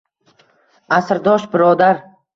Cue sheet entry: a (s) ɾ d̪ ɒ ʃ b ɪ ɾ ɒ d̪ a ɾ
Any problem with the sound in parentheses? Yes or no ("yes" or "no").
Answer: no